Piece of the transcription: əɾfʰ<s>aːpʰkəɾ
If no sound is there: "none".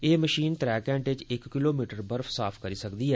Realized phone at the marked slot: s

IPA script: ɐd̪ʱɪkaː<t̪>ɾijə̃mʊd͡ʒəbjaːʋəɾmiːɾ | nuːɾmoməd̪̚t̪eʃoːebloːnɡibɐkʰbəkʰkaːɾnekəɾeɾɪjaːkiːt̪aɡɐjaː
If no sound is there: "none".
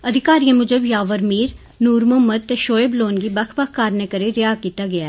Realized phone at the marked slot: none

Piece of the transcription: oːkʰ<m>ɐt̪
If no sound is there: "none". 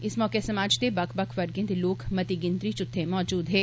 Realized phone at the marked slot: m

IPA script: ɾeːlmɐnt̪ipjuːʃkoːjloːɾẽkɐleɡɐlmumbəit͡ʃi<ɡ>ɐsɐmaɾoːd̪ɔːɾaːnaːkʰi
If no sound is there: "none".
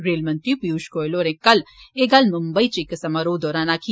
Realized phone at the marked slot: k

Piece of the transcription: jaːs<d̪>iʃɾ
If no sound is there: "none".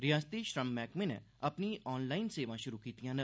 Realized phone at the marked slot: t̪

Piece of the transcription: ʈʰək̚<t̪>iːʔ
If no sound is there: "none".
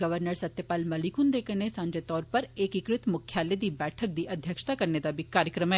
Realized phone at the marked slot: d̪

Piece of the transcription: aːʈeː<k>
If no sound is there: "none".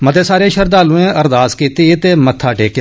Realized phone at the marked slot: k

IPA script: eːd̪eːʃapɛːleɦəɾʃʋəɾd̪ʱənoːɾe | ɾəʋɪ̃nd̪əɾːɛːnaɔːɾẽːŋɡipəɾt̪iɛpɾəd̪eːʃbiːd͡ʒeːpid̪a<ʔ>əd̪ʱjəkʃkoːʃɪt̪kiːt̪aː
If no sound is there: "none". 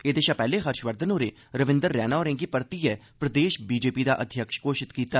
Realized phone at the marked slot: ʔ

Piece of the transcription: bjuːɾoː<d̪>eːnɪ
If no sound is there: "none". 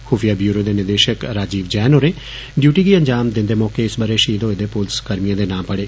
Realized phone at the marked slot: d̪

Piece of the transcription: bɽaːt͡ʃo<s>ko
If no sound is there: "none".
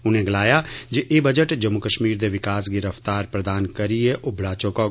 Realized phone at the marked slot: none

